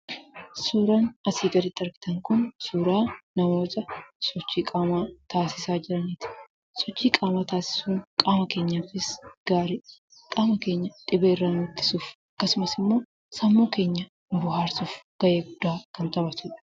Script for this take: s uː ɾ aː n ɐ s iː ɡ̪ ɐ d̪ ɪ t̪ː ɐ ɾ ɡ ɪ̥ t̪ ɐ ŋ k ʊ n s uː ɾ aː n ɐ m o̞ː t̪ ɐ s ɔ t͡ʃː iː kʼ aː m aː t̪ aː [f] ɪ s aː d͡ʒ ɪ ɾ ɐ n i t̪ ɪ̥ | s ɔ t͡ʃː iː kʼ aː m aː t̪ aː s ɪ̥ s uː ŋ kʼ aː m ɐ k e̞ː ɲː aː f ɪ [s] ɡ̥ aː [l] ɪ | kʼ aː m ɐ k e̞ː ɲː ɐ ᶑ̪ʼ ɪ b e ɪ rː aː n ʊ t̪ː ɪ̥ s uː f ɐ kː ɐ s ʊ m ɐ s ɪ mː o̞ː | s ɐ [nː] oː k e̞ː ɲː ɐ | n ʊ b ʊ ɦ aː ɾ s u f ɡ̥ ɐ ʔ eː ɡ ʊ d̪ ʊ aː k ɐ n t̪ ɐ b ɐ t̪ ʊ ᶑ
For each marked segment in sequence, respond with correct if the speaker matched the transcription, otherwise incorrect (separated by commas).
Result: incorrect, correct, incorrect, incorrect